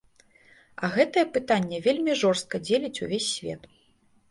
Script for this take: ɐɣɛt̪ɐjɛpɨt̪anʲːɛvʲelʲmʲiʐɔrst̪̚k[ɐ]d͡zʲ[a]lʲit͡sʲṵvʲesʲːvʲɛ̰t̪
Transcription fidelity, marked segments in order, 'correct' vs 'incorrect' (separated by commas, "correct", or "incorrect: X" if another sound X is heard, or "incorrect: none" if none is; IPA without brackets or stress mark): correct, incorrect: e